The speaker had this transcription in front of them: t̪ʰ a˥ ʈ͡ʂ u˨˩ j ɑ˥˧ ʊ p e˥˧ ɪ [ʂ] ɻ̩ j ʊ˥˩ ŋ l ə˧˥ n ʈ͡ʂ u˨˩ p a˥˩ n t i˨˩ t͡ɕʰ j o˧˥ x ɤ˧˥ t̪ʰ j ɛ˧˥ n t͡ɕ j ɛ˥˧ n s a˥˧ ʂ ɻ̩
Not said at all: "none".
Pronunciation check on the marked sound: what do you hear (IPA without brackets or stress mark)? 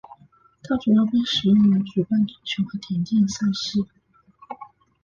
ʂ